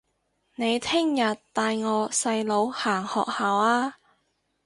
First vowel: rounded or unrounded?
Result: unrounded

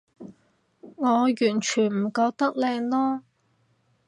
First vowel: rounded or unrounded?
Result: rounded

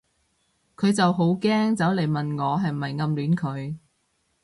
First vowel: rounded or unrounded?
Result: rounded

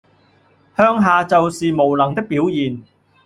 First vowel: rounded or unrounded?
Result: rounded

